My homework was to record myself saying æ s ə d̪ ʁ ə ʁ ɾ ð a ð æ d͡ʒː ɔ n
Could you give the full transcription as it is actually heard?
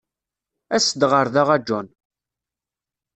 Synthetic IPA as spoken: æ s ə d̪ ʁ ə ɾ ð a ʁ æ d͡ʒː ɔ n